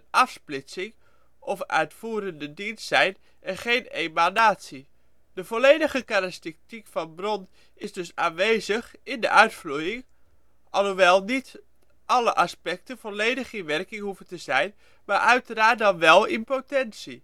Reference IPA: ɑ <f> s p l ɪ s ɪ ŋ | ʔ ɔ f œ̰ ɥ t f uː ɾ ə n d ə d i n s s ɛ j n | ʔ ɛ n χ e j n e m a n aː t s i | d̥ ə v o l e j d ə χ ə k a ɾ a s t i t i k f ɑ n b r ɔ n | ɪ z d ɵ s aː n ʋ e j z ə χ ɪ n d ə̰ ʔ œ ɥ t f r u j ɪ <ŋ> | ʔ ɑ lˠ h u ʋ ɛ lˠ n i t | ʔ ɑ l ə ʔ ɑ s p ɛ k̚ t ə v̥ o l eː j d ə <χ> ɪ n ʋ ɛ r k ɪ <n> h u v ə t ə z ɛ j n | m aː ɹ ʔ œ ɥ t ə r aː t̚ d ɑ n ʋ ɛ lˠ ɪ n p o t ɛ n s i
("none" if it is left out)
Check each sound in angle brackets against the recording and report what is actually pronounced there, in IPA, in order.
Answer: f, ŋ, χ, ŋ

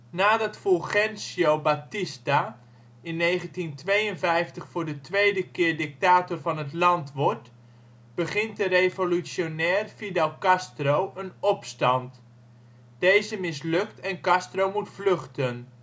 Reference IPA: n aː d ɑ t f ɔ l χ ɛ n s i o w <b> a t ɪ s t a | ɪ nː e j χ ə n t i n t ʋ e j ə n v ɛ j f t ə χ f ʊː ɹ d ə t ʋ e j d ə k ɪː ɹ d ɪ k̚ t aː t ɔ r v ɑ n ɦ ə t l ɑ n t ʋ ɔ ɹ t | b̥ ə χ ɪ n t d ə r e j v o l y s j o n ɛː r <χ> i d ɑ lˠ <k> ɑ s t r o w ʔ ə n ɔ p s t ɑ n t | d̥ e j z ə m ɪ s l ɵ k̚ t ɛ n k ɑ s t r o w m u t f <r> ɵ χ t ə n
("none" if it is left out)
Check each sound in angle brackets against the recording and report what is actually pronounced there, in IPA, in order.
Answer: b, f, k, l

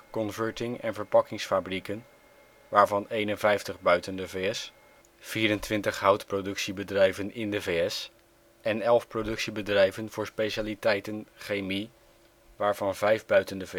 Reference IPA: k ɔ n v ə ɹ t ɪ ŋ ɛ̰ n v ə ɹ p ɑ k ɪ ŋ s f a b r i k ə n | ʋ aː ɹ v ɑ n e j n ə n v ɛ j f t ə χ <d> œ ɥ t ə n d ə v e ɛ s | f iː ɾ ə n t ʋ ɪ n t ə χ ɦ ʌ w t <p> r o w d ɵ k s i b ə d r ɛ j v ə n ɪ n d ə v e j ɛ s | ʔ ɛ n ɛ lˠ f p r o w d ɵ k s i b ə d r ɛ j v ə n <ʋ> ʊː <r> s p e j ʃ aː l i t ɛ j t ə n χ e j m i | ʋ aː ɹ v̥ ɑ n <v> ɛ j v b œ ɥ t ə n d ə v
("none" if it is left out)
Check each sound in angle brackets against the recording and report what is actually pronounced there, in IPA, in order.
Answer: b, p, v, ɹ, v

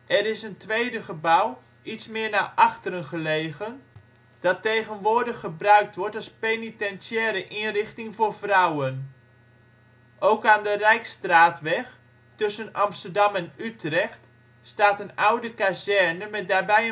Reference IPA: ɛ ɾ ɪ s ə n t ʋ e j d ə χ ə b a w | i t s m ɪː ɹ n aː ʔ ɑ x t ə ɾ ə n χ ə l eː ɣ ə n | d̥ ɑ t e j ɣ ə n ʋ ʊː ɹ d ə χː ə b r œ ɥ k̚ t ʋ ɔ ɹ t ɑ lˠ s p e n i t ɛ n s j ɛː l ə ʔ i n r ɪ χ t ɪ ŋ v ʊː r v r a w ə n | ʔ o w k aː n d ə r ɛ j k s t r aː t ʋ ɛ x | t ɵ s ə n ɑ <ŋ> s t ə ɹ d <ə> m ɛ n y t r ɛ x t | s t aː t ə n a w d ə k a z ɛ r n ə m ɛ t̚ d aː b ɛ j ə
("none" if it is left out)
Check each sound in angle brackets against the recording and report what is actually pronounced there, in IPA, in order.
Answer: m, ɑ

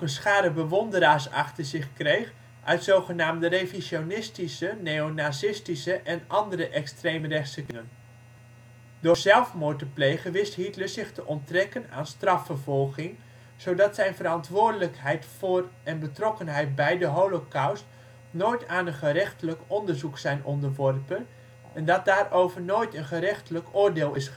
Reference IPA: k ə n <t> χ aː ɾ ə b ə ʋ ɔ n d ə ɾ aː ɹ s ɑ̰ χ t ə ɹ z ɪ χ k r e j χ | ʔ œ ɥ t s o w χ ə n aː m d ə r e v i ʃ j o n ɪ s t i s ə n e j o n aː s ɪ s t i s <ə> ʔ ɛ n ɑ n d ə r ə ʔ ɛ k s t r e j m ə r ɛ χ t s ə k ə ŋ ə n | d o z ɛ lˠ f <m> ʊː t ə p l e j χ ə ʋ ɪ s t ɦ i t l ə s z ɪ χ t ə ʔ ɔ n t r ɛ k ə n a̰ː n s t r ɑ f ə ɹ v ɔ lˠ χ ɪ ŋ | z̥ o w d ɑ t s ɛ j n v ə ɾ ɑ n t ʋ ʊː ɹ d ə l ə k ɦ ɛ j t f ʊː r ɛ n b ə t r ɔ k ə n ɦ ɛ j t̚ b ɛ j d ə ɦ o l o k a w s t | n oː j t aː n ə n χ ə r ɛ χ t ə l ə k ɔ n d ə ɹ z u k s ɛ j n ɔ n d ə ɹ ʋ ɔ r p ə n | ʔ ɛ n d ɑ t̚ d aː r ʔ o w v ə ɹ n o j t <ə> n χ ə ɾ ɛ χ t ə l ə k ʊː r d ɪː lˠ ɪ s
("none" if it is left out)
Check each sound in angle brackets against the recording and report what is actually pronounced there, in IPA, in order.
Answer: s, ə, m, ə

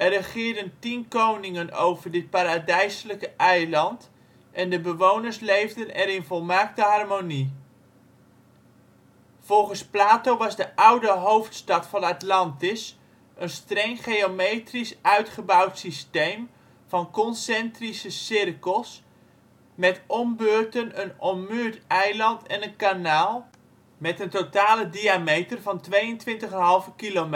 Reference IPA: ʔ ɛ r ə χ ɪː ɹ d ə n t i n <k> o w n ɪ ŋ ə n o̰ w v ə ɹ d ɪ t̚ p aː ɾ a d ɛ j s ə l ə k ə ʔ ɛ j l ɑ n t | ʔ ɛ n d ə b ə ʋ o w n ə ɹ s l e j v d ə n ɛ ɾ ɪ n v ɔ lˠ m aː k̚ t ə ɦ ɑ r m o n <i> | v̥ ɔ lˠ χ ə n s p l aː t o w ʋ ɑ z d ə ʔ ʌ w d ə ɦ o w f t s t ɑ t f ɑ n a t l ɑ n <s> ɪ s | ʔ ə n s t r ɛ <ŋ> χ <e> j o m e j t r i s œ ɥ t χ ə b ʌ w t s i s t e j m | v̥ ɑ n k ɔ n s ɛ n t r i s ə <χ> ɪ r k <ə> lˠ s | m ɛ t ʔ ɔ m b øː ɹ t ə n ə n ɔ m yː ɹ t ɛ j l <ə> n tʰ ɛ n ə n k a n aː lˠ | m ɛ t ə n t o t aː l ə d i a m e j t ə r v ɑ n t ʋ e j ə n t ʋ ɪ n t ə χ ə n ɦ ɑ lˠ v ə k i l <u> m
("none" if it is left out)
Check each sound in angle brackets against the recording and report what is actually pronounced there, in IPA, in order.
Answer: k, i, t, ŋ, e, s, ə, ɑ, o

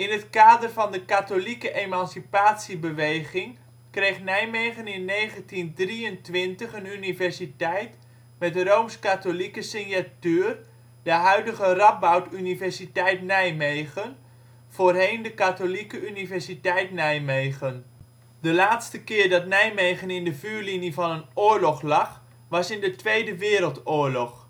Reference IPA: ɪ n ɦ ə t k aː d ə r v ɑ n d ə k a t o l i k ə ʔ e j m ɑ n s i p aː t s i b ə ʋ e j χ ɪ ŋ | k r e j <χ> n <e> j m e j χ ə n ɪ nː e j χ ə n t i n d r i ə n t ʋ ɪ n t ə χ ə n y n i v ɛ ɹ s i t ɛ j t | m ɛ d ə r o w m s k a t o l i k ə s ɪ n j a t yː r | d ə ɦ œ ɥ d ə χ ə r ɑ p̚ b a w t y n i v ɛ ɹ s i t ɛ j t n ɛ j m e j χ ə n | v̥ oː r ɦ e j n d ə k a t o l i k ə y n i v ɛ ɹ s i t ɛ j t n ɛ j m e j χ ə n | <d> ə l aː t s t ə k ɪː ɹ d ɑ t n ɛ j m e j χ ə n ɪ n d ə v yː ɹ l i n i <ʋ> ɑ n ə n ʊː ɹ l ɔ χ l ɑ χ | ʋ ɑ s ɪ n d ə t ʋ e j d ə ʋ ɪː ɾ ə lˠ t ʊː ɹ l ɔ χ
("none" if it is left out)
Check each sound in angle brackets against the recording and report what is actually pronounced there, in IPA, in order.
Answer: χ, ɛ, d, v

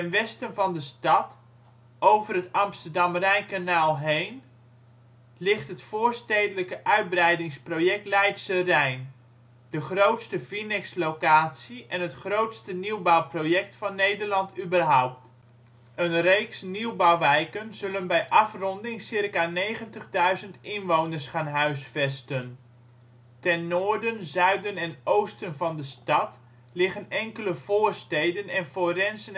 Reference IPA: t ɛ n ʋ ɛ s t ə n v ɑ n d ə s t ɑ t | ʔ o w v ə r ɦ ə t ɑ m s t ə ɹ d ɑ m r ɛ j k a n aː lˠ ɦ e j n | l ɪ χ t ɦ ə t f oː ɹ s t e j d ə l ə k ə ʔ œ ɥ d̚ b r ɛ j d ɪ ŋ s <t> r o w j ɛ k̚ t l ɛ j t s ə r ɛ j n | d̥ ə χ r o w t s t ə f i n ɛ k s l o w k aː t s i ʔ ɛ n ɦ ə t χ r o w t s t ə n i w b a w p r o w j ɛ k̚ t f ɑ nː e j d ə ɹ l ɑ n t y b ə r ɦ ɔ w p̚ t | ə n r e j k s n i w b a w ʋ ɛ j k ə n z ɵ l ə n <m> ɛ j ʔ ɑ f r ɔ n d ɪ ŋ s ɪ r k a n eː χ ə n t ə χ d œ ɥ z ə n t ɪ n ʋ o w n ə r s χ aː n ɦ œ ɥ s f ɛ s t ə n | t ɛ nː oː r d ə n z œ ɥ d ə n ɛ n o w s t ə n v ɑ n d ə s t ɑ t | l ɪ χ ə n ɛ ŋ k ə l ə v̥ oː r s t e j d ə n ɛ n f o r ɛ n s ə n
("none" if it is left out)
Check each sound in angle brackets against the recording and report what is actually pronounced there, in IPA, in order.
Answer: p, b

